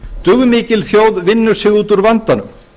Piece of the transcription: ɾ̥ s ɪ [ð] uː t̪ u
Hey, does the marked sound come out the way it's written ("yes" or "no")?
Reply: no